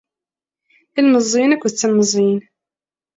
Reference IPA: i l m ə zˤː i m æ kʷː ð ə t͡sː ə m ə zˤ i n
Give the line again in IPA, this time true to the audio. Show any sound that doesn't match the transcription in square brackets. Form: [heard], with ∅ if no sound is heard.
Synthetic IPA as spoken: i l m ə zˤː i [n] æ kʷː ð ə t͡sː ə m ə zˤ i n